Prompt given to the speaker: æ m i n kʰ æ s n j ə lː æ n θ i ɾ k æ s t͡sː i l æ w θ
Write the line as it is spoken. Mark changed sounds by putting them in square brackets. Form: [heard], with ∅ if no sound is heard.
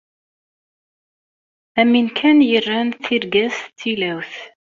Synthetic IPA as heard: æ m i n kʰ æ [∅] n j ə [rː] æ n θ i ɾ [ɡ] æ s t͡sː i l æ w θ